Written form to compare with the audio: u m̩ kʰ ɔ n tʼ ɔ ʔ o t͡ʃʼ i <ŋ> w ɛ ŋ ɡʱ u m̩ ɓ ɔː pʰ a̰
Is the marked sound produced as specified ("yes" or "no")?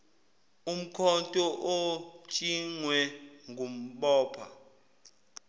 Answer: yes